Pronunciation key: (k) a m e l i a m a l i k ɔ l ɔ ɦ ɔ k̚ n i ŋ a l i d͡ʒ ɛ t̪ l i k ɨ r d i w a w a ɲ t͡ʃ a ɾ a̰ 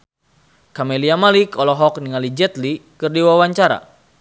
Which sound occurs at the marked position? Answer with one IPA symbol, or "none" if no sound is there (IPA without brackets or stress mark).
k